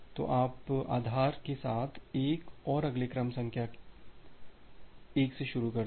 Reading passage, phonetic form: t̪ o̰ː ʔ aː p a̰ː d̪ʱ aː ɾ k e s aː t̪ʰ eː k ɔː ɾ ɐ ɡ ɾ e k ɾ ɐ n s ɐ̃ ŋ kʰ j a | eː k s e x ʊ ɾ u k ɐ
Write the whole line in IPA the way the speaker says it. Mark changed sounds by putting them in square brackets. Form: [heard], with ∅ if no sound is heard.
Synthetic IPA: t̪ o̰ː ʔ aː p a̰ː d̪ʱ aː ɾ k e s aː t̪ʰ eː k ɔː ɾ ɐ ɡ [l] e k ɾ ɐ [m] s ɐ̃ ŋ kʰ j a | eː k s e [ʃ] ʊ ɾ u k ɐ

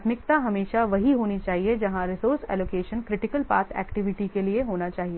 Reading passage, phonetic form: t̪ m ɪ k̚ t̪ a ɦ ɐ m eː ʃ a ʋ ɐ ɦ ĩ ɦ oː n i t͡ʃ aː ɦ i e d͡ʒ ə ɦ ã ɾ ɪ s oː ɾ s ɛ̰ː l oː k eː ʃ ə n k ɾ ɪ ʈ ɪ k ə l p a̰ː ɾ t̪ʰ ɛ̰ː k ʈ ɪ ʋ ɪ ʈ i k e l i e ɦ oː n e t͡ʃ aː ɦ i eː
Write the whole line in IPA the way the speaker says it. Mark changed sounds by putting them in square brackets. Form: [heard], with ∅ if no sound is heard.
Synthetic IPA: t̪ m ɪ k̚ t̪ a ɦ ɐ m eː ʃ a ʋ ɐ ɦ [i] ɦ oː n i t͡ʃ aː ɦ i e d͡ʒ [ɐ] ɦ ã ɾ ɪ s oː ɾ s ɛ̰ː l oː k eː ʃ ə n k ɾ ɪ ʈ ɪ k ə l p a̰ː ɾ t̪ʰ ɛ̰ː k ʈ ɪ ʋ ɪ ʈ i k e l i e ɦ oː n [a] t͡ʃ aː ɦ i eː

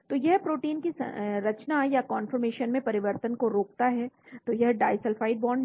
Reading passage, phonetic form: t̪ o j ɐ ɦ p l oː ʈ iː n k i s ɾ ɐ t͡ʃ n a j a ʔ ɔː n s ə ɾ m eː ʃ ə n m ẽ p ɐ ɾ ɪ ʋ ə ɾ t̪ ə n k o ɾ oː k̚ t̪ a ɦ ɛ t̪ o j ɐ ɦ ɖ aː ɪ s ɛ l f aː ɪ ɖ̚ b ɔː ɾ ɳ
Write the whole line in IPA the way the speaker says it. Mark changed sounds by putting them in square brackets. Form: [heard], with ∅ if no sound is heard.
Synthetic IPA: t̪ o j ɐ ɦ p [ɾ] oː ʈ iː n k i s ɾ ɐ t͡ʃ n a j a [k] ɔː n [f] ə ɾ m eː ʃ ə n m ẽ p ɐ ɾ ɪ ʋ ə ɾ t̪ ə n k o ɾ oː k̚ t̪ a ɦ ɛ t̪ o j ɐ ɦ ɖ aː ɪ s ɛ l f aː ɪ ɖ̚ b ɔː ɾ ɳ

